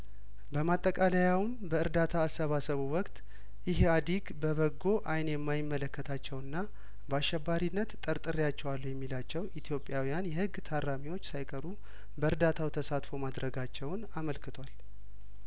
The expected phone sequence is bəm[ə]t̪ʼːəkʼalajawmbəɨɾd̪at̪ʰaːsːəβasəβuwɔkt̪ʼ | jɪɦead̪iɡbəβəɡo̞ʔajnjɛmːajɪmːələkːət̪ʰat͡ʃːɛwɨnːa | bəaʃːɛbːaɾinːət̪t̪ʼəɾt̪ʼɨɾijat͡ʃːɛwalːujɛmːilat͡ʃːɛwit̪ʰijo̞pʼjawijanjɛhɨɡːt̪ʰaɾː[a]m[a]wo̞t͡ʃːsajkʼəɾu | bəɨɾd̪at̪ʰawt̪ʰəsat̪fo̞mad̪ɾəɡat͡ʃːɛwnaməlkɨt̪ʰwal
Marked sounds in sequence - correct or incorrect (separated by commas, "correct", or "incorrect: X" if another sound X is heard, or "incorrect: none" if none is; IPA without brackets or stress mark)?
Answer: incorrect: a, correct, incorrect: i